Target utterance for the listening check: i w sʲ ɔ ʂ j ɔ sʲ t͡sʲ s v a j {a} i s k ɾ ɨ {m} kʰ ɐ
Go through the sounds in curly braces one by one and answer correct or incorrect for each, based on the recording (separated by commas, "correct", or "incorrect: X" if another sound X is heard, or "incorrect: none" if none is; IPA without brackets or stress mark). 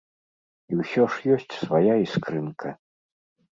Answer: correct, incorrect: n